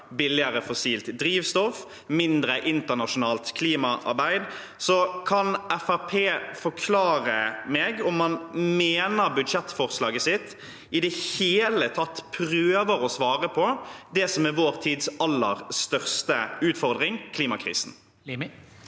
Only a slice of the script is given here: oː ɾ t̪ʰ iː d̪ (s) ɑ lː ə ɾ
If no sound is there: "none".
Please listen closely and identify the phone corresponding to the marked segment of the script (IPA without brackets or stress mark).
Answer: s